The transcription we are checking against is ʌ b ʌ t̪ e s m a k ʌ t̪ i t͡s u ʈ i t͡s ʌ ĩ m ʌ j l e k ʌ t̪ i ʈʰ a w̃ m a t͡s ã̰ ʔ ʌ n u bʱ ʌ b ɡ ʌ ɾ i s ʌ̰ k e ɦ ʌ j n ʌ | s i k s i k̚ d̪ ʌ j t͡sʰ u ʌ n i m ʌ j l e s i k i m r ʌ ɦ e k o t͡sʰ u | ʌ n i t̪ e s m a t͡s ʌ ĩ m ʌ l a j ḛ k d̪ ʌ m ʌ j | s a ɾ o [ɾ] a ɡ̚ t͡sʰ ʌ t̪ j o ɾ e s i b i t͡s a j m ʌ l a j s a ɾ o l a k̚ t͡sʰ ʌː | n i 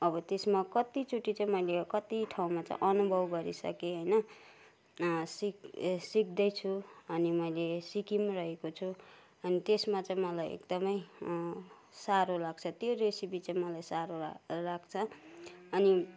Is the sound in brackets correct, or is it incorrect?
incorrect